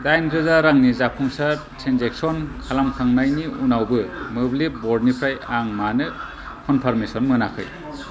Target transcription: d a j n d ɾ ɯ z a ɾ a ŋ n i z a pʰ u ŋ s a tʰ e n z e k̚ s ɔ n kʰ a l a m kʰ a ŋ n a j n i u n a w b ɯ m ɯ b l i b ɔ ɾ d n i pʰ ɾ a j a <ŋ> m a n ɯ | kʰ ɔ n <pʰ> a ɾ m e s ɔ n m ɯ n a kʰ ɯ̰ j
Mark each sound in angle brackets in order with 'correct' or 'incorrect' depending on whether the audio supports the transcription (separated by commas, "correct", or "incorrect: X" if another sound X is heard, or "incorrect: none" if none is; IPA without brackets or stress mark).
correct, correct